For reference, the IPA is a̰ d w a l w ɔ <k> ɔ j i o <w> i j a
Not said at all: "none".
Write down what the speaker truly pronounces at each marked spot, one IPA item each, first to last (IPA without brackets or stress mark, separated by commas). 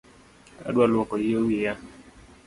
k, w